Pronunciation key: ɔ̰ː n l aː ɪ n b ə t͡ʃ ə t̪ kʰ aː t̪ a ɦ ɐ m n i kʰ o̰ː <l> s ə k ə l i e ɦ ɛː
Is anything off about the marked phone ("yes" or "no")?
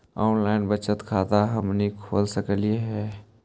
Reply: no